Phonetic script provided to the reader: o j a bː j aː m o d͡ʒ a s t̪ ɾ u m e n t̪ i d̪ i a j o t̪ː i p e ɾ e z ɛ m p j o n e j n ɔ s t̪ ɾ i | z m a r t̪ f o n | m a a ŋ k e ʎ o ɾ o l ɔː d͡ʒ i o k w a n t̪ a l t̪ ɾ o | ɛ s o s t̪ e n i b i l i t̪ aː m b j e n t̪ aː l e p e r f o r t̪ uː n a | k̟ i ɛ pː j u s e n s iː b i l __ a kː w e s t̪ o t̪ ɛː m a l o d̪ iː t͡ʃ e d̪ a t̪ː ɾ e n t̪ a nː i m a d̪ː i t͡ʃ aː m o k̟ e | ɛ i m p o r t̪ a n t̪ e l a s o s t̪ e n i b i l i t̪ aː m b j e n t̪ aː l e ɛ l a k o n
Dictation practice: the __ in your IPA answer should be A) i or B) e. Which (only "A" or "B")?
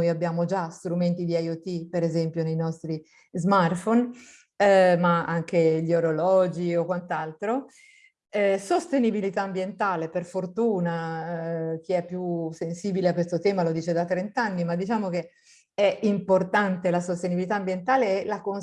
B